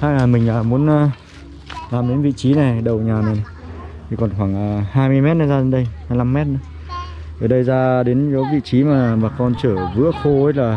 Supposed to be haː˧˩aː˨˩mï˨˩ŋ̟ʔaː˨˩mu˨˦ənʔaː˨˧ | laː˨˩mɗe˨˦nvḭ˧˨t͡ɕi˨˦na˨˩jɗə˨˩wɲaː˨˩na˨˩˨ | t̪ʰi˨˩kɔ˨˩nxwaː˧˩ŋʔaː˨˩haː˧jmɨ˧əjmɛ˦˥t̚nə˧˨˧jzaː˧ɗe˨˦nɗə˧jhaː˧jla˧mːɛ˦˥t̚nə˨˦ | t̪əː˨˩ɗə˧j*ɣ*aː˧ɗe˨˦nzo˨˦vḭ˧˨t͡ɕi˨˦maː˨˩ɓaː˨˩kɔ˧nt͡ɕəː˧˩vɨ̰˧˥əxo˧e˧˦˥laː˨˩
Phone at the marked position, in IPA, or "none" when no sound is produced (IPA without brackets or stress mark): z